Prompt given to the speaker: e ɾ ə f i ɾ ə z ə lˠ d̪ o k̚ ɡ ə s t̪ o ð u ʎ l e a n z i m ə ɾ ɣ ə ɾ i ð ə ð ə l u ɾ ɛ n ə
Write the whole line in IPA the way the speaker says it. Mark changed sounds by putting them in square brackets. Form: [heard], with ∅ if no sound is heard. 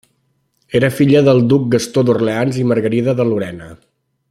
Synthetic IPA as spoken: e ɾ ə f i [ʎ] ə [ð] ə lˠ d̪ [u] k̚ ɡ ə s t̪ o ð u [r] l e a n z i m ə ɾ ɣ ə ɾ i ð ə ð ə l u ɾ ɛ n ə